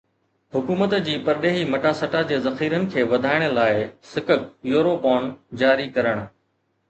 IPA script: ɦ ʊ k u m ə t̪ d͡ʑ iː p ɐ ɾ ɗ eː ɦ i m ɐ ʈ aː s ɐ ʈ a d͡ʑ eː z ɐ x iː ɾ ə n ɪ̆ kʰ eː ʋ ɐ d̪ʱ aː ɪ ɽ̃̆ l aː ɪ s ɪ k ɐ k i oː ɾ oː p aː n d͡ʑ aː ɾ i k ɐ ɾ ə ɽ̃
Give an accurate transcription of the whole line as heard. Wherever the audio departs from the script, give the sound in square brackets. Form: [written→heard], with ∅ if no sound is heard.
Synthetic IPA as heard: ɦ ʊ k [u→uː] m ə t̪ d͡ʑ iː p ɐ ɾ ɗ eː ɦ i m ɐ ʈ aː s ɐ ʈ a d͡ʑ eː z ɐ x iː ɾ ə n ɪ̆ kʰ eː ʋ ɐ d̪ʱ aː ɪ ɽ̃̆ l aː ɪ s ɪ k [ɐ→ə] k [i→j] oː ɾ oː p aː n d͡ʑ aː ɾ i k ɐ ɾ ə ɽ̃